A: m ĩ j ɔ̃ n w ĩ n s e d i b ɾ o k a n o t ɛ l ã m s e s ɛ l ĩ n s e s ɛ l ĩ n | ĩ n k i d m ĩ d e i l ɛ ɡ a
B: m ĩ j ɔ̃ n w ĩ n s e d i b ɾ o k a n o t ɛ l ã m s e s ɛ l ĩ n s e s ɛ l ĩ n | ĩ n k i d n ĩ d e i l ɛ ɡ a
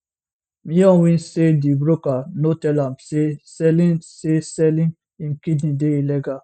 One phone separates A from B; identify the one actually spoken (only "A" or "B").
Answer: B